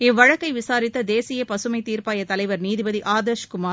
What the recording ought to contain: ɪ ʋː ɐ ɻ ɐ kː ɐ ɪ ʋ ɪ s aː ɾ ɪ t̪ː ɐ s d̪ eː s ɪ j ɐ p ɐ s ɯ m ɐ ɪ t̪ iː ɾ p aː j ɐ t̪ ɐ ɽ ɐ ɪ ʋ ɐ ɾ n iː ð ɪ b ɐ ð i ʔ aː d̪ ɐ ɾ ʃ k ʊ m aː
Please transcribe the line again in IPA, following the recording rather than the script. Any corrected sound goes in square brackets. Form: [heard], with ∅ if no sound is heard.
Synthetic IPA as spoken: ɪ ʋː ɐ ɻ ɐ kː ɐ ɪ ʋ ɪ s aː ɾ ɪ t̪ː ɐ [∅] d̪ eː s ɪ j ɐ p ɐ s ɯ m ɐ ɪ t̪ iː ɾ p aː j ɐ t̪ ɐ [l] ɐ ɪ ʋ ɐ ɾ n iː ð ɪ b ɐ ð i ʔ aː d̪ ɐ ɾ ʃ k ʊ m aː